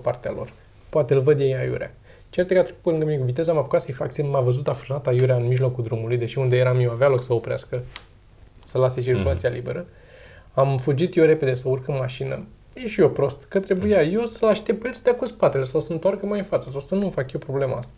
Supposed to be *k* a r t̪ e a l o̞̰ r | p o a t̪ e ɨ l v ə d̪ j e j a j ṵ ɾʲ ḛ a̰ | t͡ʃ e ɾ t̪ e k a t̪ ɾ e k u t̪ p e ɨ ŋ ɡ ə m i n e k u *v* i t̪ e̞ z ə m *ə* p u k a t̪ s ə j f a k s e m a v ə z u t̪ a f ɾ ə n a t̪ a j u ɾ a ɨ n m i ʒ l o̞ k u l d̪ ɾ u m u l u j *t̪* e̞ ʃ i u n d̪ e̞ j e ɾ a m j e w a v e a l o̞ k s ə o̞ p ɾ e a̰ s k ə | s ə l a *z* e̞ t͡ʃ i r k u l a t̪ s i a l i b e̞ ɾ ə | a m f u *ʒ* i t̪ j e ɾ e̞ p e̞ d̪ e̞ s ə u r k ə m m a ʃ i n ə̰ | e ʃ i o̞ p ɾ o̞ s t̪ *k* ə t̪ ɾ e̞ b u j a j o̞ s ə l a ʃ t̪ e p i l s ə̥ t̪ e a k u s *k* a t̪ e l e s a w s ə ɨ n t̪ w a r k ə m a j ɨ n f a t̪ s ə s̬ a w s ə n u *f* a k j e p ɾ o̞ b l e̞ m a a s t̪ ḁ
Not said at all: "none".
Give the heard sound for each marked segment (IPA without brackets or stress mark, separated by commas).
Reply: p, v, a, d̪, s, d͡ʒ, k, p, f